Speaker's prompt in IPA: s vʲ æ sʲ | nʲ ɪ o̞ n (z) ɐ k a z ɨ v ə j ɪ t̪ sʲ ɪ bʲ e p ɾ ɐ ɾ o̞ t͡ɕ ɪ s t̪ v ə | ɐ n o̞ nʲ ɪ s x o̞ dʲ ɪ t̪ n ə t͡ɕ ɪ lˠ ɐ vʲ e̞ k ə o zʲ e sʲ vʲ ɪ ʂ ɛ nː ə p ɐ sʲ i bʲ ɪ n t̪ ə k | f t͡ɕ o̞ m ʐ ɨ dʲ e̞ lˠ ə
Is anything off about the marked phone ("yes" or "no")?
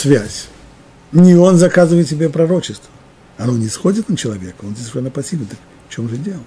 no